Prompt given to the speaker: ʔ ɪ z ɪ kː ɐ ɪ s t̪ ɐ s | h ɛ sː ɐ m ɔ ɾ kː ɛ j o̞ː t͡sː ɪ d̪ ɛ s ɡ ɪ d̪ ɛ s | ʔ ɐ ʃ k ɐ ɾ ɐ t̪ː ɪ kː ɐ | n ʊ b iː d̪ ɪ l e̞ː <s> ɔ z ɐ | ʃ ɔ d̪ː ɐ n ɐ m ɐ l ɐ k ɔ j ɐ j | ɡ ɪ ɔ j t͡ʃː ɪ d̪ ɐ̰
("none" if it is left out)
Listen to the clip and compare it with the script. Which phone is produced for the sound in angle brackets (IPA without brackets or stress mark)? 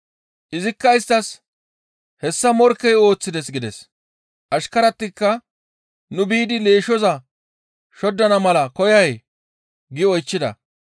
ʃ